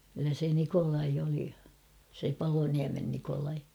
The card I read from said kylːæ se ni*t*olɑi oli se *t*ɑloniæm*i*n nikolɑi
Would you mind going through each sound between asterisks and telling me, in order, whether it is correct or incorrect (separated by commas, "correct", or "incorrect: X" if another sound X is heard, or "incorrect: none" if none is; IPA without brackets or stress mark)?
incorrect: k, incorrect: p, incorrect: e